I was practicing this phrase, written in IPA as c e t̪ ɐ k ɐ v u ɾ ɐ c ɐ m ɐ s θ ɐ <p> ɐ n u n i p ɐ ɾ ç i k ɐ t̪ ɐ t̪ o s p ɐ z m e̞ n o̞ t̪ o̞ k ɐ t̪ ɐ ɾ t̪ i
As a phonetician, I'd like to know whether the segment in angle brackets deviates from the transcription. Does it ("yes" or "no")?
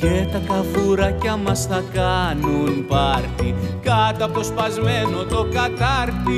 yes